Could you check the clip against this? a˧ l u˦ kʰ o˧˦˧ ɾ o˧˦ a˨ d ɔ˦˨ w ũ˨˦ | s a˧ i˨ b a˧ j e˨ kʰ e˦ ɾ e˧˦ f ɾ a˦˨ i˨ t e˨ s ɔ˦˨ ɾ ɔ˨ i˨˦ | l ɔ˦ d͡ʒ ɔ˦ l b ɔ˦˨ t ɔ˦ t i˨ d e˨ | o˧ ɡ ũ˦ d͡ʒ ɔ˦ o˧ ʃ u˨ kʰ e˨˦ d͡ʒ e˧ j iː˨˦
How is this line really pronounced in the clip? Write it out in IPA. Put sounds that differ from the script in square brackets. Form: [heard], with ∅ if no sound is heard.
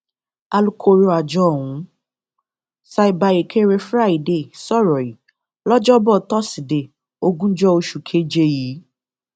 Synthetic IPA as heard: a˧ l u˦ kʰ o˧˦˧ ɾ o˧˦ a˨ [d͡ʒ] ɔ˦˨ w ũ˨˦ | s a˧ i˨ b a˧ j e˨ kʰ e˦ ɾ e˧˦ f ɾ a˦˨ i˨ [d] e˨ s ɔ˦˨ ɾ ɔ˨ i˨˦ | l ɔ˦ d͡ʒ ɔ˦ [∅] b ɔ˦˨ t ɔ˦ [s] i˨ d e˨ | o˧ ɡ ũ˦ d͡ʒ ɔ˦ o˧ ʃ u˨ kʰ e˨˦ d͡ʒ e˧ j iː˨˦